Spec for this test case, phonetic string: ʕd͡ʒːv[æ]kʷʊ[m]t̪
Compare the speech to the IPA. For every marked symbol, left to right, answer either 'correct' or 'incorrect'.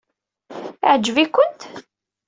incorrect: i, incorrect: n

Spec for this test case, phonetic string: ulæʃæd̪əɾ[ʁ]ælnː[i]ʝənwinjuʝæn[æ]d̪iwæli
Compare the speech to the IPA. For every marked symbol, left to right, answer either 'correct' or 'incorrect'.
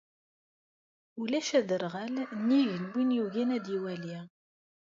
correct, correct, correct

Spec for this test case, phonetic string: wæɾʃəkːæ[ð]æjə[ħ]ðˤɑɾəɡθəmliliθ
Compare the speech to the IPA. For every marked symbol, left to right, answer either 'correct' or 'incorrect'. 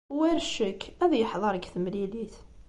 correct, correct

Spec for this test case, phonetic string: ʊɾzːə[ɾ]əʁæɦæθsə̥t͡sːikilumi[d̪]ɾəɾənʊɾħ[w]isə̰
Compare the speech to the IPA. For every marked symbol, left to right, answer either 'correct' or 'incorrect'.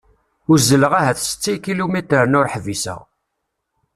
incorrect: l, incorrect: t̪, incorrect: v

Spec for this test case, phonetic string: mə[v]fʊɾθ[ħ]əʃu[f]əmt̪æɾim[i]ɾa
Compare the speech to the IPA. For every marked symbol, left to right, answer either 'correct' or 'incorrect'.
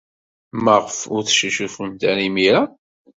incorrect: ʁ, incorrect: ʃ, correct, correct

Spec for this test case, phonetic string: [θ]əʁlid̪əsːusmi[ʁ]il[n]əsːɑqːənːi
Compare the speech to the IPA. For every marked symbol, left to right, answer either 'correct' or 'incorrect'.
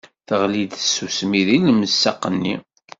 correct, incorrect: ð, incorrect: m

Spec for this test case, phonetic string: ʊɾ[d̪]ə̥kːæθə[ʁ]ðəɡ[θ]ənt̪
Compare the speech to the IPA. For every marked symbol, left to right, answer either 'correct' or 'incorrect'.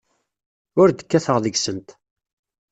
correct, correct, incorrect: s

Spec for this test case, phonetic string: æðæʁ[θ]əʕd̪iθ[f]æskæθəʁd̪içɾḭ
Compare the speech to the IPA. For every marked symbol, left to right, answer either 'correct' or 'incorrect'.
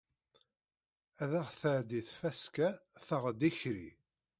correct, correct

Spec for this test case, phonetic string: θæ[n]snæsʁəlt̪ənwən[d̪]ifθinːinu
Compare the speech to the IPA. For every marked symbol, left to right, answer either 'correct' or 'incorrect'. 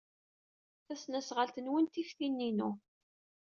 incorrect: none, incorrect: t̪

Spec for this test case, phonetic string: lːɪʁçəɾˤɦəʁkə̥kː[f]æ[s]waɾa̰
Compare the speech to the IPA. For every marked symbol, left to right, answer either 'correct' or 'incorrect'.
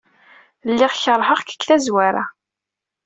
incorrect: θ, incorrect: z

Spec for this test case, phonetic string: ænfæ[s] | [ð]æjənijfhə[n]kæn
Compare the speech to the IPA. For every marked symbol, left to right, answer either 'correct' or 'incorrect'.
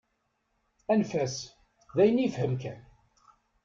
correct, correct, incorrect: m

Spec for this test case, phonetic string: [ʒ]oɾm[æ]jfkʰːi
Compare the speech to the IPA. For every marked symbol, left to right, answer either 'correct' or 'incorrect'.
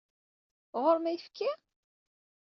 incorrect: ʁ, correct

